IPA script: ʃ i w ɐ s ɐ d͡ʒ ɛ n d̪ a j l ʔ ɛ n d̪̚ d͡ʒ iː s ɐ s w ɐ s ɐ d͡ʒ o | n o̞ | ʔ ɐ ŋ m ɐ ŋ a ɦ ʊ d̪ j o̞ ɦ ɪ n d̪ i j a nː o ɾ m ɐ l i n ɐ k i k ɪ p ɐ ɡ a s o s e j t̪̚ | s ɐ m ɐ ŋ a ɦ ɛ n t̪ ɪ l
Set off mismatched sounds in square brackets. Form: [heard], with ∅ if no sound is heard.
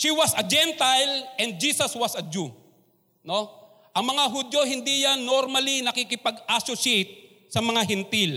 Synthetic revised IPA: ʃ i w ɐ s ɐ d͡ʒ ɛ n [t̪] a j l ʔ ɛ n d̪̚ d͡ʒ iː s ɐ s w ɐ s ɐ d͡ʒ [u] | n o̞ | ʔ ɐ ŋ m ɐ ŋ a ɦ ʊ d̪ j o̞ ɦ ɪ n d̪ i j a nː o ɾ m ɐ l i n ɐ k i k ɪ p ɐ ɡ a s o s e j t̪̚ | s ɐ m ɐ ŋ a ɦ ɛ n t̪ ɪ l